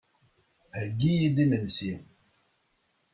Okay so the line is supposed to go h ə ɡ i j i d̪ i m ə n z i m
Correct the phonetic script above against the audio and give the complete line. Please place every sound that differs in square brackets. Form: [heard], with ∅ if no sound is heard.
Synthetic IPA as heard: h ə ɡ i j i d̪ i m ə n [s] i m